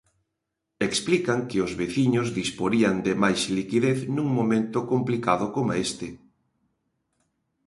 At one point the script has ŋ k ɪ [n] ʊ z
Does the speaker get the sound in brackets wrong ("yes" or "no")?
yes